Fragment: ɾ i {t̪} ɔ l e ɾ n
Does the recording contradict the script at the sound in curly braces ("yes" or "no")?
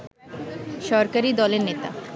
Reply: yes